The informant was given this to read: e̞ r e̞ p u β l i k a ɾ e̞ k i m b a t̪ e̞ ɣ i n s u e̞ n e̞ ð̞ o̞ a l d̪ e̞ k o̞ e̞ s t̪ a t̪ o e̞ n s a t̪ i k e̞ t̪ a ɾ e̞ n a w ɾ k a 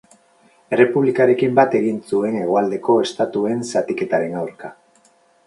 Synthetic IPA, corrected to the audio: e̞ r e̞ p u β l i k a ɾ e̞ k i m b a t̪ e̞ ɣ i n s u e̞ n e̞ ɣ̞ o̞ a l d̪ e̞ k o̞ e̞ s t̪ a t̪ u e̞ n s a t̪ i k e̞ t̪ a ɾ e̞ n a w ɾ k a